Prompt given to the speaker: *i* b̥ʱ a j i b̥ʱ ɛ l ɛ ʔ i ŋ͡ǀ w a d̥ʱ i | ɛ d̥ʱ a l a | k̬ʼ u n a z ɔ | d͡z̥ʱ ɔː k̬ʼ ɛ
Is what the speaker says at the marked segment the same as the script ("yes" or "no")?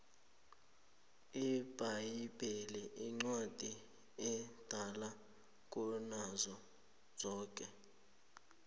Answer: yes